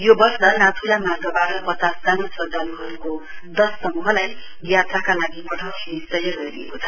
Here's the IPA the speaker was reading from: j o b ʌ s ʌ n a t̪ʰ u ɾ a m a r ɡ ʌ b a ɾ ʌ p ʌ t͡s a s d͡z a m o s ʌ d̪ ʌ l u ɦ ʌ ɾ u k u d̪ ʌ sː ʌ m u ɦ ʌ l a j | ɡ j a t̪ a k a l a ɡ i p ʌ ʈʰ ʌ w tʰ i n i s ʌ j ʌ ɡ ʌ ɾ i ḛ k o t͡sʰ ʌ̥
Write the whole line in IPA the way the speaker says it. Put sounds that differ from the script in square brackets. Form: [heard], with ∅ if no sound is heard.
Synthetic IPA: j o b ʌ s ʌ n a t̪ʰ u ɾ a m a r ɡ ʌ b a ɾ ʌ p ʌ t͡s a s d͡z a [n] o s ʌ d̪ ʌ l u ɦ ʌ ɾ u k [o] d̪ ʌ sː ʌ m u ɦ ʌ l a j | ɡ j a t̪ a k a l a ɡ i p ʌ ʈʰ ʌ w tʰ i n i s ʌ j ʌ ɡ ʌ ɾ i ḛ k o t͡sʰ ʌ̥